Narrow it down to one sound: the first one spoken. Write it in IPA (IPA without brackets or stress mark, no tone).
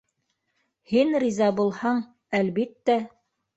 h